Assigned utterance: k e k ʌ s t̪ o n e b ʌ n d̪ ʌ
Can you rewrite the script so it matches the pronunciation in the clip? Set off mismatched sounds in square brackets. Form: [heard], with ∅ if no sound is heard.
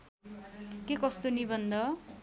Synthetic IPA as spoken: k e k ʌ s t̪ o n [i] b ʌ n d̪ ʌ